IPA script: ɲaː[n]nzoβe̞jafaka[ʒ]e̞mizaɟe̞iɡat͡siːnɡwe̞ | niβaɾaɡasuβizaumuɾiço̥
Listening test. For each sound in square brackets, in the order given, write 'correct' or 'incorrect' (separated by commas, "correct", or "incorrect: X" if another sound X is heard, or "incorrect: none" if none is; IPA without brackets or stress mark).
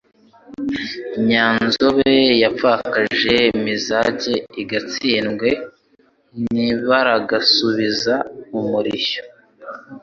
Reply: correct, correct